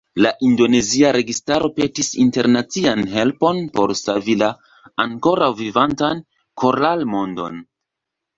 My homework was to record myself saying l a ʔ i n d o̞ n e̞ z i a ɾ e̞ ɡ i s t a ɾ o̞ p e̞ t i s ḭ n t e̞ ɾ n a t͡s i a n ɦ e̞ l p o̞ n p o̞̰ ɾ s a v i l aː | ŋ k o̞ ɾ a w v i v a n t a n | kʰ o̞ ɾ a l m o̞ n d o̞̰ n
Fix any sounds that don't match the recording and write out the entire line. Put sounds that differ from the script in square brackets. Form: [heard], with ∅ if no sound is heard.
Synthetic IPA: l a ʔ i n d o̞ n e̞ z i a ɾ e̞ ɡ i s t a ɾ o̞ p e̞ t i s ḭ n t e̞ ɾ n a t͡s i a n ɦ e̞ l p o̞ n p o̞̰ ɾ s a v i l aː | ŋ k o̞ ɾ a w v i v a n t a n | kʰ o̞ ɾ a l m o̞ n d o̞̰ n